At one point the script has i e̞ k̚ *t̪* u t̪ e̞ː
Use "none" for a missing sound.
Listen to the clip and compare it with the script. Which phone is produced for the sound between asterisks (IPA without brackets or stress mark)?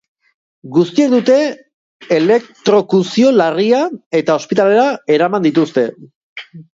d̪